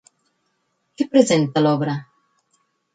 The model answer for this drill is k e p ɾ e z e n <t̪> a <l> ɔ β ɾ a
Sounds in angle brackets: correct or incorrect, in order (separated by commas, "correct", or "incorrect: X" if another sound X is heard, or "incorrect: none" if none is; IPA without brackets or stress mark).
correct, correct